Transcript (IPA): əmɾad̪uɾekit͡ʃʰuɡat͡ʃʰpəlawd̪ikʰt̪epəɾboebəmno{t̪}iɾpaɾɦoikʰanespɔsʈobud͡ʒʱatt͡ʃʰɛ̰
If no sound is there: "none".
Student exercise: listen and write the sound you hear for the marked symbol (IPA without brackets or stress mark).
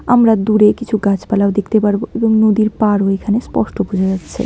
d̪